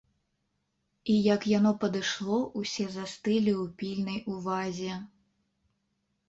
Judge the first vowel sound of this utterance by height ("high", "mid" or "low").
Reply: high